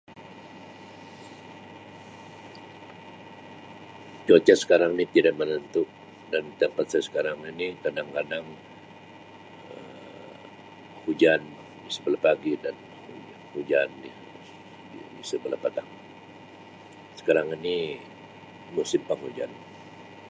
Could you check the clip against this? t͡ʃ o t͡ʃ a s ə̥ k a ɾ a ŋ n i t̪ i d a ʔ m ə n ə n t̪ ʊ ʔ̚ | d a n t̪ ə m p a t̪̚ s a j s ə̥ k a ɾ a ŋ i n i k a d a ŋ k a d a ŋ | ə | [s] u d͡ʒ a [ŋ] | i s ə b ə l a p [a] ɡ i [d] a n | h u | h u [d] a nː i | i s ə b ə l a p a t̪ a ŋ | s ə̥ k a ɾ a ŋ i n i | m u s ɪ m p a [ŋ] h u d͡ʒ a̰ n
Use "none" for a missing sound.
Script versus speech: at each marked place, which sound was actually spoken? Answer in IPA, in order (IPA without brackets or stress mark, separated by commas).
h, n, a, d, d͡ʒ, ŋ